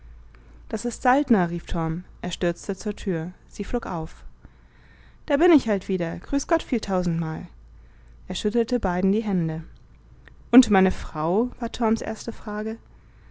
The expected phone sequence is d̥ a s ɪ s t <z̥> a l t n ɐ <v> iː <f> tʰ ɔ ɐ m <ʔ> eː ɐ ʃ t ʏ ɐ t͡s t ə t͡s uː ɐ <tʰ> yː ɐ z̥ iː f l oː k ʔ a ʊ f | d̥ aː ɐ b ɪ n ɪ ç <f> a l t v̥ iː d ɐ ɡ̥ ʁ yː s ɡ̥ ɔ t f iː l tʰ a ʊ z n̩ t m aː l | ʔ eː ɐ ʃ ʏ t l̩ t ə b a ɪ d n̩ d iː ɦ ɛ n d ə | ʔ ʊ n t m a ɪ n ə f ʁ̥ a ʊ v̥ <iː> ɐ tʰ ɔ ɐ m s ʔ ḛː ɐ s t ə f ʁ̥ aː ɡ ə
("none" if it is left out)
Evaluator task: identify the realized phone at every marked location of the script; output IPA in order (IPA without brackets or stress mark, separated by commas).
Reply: z̥, ʁ, f, ʔ, tʰ, h, aː